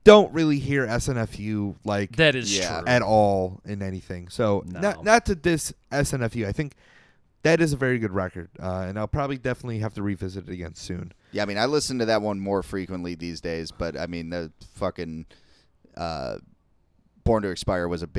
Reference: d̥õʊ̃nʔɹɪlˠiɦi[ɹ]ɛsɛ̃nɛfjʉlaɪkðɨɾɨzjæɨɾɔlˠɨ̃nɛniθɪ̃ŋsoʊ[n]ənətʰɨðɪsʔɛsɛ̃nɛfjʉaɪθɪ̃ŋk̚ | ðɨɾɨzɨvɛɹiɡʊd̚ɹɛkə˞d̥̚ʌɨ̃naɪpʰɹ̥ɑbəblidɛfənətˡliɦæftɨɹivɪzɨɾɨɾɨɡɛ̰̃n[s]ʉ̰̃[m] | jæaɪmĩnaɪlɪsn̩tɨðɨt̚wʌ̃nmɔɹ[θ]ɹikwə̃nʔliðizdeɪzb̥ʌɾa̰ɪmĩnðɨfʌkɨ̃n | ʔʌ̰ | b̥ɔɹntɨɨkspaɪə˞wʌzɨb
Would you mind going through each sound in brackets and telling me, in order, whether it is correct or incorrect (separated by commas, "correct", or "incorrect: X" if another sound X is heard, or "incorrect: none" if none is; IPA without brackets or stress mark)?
correct, correct, correct, incorrect: n, incorrect: f